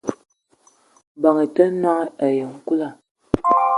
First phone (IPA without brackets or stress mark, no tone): b